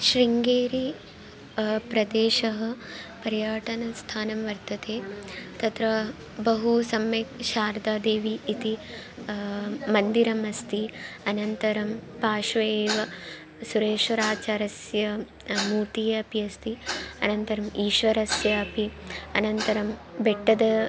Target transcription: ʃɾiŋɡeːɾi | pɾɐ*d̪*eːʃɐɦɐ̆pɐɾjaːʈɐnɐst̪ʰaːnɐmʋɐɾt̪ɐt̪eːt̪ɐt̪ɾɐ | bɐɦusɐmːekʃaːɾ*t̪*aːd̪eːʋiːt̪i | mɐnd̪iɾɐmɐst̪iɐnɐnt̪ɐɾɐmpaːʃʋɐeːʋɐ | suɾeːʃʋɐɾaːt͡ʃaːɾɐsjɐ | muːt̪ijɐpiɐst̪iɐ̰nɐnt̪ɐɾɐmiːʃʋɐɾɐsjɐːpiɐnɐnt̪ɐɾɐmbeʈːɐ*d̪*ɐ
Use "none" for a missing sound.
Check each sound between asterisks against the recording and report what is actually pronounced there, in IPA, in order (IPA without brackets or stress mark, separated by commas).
d̪, d̪, d̪